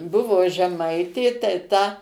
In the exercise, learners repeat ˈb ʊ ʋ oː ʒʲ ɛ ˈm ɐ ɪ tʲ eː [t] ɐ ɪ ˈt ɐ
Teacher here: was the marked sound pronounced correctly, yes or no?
yes